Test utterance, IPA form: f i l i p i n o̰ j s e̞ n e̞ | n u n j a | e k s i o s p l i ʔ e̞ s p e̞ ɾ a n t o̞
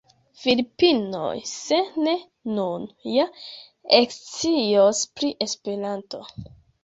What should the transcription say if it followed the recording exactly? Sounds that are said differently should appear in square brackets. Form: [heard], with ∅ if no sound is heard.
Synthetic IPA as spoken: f i l i p i n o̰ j s e̞ n e̞ | n u n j a | e k [t͡s] i o s p [ɾ] i ʔ e̞ s p e̞ ɾ a n t o̞